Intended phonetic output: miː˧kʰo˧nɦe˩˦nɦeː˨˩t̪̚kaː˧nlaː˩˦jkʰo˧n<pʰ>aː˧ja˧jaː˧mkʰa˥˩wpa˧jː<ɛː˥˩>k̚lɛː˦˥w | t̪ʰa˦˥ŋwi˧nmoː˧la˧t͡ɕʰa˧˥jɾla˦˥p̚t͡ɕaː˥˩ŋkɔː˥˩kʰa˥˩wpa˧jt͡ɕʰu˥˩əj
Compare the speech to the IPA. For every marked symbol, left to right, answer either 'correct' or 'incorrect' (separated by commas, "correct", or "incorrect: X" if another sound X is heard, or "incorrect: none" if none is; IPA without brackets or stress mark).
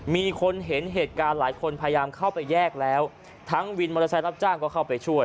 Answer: correct, correct